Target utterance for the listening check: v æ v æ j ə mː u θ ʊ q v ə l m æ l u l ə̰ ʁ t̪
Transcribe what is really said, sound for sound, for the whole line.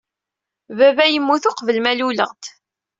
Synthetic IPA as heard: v æ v æ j ə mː u θ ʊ q v ə l m æ l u l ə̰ ʁ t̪